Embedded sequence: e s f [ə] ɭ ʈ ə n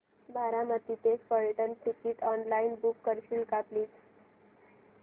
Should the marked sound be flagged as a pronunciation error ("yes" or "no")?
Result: no